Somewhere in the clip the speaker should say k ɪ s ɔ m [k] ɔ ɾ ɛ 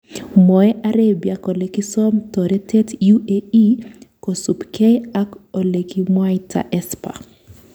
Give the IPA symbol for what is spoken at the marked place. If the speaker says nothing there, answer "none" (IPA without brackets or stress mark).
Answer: t